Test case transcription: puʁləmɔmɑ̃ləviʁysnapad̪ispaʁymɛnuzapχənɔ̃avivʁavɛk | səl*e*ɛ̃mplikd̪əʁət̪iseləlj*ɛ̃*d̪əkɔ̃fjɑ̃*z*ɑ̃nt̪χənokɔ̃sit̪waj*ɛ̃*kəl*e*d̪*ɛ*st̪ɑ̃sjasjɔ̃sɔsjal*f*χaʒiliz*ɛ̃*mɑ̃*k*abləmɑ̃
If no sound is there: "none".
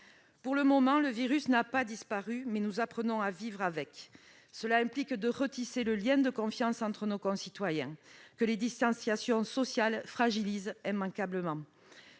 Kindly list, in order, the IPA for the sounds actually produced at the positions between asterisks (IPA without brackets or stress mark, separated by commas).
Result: a, ɛ̃, s, ɛ̃, e, i, f, ɛ̃, k